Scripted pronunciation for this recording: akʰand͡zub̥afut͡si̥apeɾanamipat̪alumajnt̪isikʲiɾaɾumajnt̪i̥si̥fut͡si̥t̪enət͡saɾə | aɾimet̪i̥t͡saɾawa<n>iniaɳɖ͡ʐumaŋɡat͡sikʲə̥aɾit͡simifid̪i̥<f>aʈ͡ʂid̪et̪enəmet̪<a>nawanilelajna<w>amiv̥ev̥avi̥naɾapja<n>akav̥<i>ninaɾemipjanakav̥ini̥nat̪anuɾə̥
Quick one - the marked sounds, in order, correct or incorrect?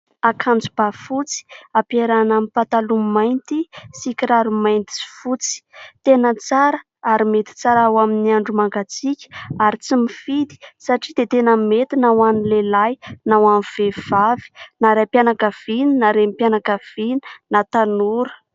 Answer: incorrect: m, incorrect: s, incorrect: i, correct, correct, correct

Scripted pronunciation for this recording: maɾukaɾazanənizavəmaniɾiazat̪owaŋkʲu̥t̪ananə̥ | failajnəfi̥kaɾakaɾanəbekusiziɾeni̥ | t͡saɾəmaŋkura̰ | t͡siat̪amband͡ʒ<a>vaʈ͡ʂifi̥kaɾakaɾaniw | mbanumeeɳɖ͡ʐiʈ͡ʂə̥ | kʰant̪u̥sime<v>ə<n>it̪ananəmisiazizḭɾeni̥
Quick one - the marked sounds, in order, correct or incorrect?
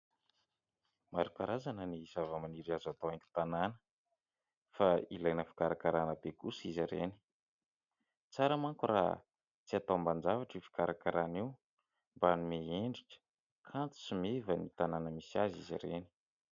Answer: correct, correct, correct

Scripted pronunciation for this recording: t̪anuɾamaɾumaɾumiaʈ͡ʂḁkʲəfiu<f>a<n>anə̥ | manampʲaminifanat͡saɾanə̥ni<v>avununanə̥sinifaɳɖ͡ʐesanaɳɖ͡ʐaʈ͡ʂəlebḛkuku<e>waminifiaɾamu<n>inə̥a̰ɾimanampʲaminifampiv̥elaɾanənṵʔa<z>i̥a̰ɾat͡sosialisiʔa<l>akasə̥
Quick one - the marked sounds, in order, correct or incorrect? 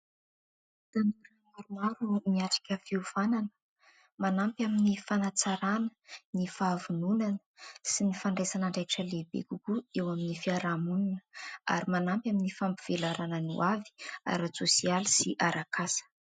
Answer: incorrect: v, correct, incorrect: f, correct, correct, incorrect: v, incorrect: ɾ

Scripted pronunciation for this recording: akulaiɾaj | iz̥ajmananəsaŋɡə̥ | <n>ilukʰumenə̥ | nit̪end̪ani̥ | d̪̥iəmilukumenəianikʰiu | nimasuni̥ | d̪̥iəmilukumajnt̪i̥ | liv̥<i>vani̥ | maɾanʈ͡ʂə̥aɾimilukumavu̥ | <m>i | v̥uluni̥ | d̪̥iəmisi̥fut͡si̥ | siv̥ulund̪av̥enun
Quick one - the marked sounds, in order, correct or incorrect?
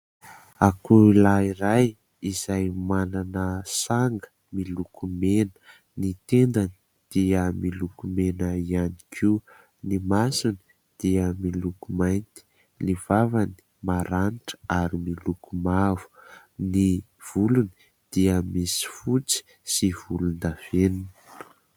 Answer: incorrect: m, incorrect: a, incorrect: n

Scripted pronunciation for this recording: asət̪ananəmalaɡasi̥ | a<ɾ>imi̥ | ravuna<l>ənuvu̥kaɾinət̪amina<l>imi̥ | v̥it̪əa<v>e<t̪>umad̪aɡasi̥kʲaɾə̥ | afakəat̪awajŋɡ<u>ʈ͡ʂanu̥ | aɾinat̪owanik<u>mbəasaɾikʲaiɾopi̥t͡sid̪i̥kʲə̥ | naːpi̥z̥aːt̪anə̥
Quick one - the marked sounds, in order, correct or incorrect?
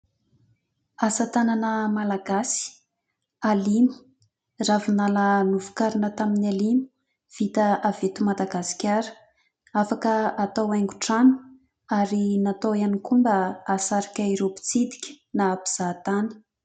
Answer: incorrect: l, correct, correct, correct, correct, correct, correct

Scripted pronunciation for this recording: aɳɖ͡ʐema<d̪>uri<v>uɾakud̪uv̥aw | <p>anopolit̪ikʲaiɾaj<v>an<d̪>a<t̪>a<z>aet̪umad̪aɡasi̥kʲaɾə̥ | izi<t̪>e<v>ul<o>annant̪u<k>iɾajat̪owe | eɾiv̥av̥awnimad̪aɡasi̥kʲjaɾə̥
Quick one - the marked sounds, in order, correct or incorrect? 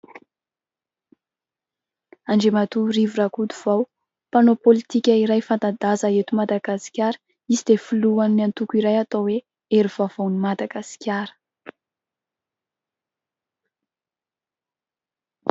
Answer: incorrect: t̪, correct, correct, incorrect: f, incorrect: t̪, incorrect: d̪, correct, incorrect: d̪, incorrect: f, incorrect: u, correct

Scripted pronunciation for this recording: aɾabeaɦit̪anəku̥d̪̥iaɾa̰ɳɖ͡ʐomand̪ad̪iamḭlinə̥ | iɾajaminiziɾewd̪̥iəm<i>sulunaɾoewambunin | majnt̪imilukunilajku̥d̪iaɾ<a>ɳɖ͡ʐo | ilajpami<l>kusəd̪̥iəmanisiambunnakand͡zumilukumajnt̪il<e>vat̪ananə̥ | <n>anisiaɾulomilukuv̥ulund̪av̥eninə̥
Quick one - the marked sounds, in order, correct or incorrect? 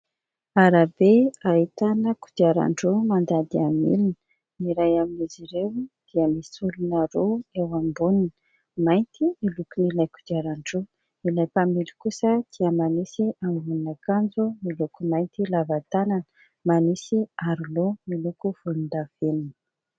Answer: correct, correct, correct, incorrect: a, incorrect: m

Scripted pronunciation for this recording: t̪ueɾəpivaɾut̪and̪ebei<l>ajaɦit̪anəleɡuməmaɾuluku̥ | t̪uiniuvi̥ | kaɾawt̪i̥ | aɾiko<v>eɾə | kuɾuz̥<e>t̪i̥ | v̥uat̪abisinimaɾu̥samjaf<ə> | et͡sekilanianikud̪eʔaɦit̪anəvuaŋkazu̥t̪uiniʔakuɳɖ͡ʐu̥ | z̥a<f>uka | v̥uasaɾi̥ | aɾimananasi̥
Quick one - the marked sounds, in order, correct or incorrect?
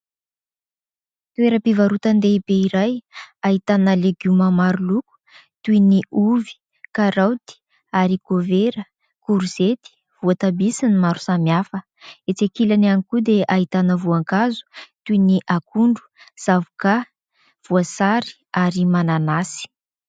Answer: incorrect: ɾ, correct, correct, correct, incorrect: v

